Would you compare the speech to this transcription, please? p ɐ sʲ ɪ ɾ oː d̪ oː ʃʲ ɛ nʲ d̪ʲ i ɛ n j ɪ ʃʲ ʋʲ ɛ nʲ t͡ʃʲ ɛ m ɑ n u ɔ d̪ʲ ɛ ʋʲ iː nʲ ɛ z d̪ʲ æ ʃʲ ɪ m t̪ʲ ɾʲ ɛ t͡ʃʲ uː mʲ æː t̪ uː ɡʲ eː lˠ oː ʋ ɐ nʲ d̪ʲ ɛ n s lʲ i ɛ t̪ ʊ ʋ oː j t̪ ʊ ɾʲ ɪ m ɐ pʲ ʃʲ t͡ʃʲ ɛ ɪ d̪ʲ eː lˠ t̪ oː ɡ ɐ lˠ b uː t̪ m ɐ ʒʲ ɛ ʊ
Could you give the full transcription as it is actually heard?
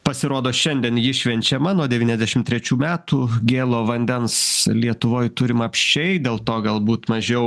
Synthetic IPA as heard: p ɐ sʲ ɪ ɾ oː d̪ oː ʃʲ ɛ nʲ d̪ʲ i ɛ n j ɪ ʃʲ ʋʲ ɛ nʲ t͡ʃʲ ɛ m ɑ n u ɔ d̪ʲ ɛ ʋʲ iː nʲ ɛ z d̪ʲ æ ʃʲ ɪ m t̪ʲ ɾʲ ɛ t͡ʃʲ uː mʲ æː t̪ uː ɡʲ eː lˠ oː ʋ ɐ nʲ d̪ʲ ɛ n s lʲ i ɛ t̪ ʊ ʋ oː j t̪ ʊ ɾʲ ɪ m ɐ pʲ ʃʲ t͡ʃʲ ɛ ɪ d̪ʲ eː lˠ t̪ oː ɡ ɐ lˠ b uː t̪ m ɐ ʒʲ ɛ ʊ

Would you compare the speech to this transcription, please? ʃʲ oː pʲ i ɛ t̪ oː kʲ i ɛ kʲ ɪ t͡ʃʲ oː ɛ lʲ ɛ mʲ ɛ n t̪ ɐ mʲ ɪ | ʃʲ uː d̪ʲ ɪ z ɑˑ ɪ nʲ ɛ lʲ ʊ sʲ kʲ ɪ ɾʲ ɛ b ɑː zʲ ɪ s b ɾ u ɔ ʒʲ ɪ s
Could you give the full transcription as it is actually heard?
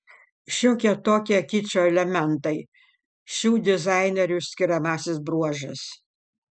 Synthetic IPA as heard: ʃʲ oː kʲ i ɛ t̪ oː kʲ i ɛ kʲ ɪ t͡ʃʲ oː ɛ lʲ ɛ mʲ ɛ n t̪ ɐ ɪ | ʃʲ uː d̪ʲ ɪ z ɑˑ ɪ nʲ ɛ ɾʲ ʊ sʲ kʲ ɪ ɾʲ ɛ m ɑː sʲ ɪ s b ɾ u ɔ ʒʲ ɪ s

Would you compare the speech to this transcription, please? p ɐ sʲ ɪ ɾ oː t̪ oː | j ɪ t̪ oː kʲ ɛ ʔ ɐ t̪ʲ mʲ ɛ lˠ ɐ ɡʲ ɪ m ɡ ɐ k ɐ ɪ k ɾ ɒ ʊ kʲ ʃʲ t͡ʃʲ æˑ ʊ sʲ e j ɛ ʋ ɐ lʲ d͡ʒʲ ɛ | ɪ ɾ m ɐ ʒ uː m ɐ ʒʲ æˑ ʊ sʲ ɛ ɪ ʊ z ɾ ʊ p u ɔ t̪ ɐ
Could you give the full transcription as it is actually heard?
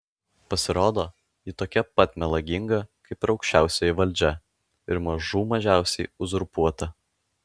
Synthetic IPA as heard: p ɐ sʲ ɪ ɾ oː d̪ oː | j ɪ t̪ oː kʲ ɛ p ɐ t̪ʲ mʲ ɛ lˠ ɐ ɡʲ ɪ ŋ ɡ ɐ k ɐ ɪ p ɾ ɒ ʊ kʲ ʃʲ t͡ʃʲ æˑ ʊ sʲ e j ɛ ʋ ɐ lʲ d͡ʒʲ ɛ | ɪ ɾ m ɐ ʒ uː m ɐ ʒʲ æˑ ʊ sʲ ɛ ɪ ʊ z ɾ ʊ p u ɔ t̪ ɐ

